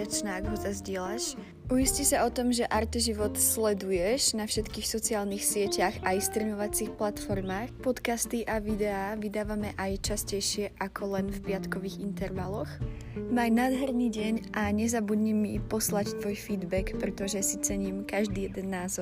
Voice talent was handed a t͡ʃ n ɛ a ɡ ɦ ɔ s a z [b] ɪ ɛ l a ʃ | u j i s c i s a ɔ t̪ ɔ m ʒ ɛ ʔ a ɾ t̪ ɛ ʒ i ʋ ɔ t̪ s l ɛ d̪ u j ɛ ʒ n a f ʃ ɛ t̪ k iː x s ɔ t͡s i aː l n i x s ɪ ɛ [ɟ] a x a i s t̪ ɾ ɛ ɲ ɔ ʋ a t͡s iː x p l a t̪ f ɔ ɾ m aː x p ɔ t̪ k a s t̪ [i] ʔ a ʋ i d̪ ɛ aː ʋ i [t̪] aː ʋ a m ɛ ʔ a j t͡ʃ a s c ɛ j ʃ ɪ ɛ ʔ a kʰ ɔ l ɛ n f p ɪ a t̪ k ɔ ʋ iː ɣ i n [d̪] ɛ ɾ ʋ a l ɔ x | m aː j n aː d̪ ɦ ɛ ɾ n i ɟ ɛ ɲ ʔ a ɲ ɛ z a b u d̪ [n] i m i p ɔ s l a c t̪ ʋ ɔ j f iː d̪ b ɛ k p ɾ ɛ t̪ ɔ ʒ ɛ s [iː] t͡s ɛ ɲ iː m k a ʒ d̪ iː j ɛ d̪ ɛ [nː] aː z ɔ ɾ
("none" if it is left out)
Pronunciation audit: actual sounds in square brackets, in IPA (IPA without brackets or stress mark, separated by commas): ɟ, c, i, d̪, t̪, ɲ, i, nː